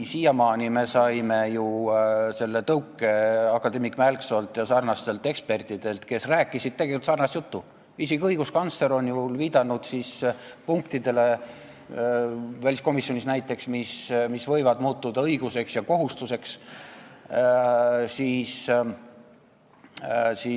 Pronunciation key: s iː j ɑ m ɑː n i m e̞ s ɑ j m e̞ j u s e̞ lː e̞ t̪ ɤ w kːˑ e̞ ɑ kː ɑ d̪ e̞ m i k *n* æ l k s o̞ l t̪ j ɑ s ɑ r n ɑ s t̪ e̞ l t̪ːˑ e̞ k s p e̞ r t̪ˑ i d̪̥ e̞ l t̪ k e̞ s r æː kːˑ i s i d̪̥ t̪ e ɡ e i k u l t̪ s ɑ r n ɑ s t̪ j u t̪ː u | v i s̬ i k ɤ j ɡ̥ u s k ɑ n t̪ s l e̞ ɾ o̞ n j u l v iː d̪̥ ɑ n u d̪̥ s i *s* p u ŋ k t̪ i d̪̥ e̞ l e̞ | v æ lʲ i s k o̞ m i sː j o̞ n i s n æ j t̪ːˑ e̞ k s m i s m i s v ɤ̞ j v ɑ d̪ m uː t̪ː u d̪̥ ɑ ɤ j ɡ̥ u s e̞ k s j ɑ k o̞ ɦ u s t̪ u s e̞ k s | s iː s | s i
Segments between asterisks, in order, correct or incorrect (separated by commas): incorrect, correct